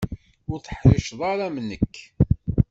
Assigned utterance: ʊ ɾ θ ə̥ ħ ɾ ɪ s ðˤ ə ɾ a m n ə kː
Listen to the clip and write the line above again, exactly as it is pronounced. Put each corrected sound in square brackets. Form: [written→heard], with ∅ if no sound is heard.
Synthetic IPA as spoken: ʊ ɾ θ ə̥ ħ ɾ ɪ [s→ʃ] ðˤ [ə→ɑ] ɾ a m n ə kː